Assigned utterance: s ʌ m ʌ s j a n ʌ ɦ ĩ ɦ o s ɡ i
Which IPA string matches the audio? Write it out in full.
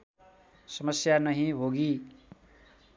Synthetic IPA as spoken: s ʌ m ʌ s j a n ʌ ɦ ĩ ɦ o ɡ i